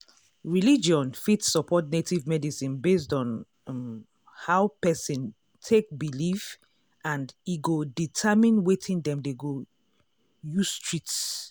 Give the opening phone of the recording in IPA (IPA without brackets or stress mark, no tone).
ɹ